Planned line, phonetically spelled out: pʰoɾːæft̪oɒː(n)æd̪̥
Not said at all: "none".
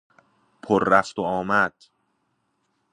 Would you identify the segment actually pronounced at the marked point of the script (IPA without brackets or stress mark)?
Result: m